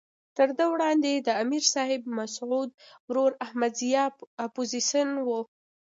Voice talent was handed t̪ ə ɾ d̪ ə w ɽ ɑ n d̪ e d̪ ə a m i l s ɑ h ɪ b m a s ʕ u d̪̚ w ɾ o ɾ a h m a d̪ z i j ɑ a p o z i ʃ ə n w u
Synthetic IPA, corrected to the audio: t̪ ə ɾ d̪ ə w ɽ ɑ n d̪ e d̪ ə a m i ɾ s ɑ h ɪ b m a s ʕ u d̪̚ w ɾ o ɾ a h m a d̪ z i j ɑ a p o z i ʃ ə n w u